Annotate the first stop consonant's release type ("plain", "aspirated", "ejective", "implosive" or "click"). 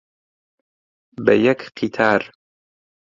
plain